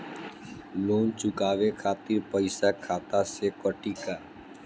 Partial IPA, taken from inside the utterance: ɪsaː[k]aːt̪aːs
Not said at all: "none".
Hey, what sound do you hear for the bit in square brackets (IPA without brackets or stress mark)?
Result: kʰ